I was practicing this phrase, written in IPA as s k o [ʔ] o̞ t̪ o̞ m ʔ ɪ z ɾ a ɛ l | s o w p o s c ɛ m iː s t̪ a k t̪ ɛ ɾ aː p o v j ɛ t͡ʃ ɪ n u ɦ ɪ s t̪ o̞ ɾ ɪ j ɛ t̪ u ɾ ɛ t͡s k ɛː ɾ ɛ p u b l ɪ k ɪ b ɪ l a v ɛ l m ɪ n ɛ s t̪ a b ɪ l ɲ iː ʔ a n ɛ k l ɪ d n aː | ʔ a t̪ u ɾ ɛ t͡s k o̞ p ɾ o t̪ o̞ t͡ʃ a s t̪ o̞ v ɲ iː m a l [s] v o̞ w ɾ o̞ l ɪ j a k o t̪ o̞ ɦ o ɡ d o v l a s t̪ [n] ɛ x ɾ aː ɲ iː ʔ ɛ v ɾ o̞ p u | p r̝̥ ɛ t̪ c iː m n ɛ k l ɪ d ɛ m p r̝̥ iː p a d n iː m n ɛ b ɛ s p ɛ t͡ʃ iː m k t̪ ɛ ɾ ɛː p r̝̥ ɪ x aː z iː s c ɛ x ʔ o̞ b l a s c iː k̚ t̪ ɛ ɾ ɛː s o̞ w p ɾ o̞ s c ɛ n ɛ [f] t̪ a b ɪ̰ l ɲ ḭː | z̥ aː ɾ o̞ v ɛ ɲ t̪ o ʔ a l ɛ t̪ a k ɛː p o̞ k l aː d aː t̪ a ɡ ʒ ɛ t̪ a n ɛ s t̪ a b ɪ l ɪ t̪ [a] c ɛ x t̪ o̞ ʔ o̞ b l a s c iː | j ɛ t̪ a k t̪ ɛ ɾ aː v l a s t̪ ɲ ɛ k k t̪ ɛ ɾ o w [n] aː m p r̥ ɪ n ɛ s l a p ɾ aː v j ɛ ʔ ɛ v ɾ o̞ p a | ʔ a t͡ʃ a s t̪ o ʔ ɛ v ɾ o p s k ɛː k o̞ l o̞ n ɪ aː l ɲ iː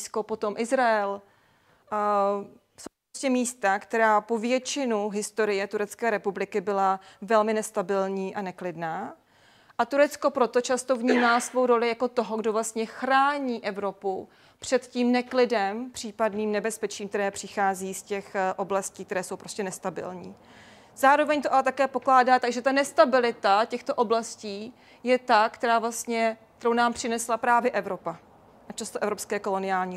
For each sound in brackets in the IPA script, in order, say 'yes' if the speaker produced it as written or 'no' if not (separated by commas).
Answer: no, yes, no, no, yes, yes